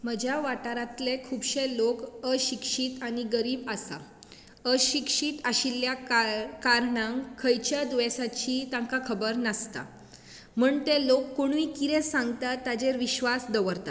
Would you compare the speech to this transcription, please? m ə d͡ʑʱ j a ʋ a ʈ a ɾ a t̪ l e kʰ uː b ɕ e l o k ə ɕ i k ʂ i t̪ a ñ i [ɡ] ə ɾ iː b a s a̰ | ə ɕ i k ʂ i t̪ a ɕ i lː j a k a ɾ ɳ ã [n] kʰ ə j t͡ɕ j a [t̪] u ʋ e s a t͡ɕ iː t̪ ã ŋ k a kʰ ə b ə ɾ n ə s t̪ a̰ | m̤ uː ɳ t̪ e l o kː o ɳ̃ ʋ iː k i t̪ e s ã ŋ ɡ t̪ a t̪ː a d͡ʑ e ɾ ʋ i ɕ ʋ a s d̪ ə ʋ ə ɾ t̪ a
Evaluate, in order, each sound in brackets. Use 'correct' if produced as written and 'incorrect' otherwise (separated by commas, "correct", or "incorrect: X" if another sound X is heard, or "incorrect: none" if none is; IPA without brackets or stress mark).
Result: correct, incorrect: ŋ, incorrect: d̪